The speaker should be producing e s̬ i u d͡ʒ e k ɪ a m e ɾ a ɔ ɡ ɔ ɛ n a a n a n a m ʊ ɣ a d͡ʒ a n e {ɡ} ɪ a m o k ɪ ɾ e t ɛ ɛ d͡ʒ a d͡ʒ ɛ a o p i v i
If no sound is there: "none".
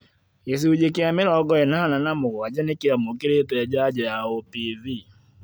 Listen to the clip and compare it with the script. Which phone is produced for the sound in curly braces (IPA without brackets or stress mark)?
k